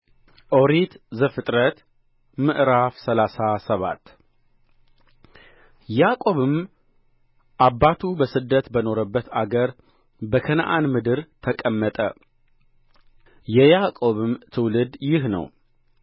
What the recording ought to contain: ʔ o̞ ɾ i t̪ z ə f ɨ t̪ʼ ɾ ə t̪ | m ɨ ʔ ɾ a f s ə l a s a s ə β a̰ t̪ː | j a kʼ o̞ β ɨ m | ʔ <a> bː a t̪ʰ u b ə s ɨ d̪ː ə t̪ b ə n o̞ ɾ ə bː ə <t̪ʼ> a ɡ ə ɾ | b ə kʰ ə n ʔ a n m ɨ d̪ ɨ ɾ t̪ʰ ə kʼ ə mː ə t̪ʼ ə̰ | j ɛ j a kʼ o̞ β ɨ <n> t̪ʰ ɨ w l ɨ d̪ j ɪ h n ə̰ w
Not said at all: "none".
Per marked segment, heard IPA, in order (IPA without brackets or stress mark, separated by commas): a, t̪, m